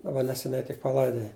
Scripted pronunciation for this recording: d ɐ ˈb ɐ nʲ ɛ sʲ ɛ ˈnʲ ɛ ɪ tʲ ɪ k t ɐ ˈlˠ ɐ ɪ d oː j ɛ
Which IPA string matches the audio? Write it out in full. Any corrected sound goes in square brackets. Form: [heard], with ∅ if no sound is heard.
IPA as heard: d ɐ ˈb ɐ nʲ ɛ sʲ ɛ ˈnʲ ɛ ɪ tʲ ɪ k [p] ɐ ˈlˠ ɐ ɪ d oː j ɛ